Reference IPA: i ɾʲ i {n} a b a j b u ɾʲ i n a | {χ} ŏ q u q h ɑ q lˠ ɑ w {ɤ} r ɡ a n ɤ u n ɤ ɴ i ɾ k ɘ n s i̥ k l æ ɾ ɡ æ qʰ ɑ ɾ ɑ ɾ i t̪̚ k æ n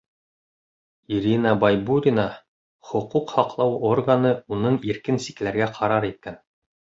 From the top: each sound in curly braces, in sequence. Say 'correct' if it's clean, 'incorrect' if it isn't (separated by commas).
correct, correct, incorrect